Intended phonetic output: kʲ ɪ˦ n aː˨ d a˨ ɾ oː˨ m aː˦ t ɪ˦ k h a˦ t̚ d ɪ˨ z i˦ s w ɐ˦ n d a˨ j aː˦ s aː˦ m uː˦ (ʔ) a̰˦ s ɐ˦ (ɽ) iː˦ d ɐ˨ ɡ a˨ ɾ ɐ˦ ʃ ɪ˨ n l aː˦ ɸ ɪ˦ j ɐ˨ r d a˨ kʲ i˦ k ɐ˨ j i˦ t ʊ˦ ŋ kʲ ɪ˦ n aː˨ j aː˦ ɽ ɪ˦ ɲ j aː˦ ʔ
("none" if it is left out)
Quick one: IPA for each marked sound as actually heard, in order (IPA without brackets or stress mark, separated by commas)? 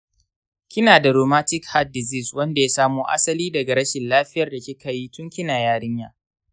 ʔ, l